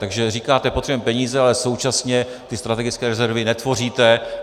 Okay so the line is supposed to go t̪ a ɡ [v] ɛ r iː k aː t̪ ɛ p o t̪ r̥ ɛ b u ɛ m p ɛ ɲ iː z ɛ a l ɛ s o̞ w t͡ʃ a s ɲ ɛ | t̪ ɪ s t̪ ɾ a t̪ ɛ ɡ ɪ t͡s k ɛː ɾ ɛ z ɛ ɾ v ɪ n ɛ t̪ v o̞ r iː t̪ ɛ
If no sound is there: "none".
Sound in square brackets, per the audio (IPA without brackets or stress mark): ʒ